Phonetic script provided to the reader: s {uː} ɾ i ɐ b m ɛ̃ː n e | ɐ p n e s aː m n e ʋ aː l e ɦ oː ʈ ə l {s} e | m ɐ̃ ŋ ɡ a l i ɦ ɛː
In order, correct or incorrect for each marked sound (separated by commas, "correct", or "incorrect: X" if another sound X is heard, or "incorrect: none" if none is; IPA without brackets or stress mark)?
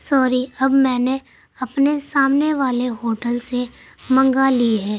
incorrect: ɔː, correct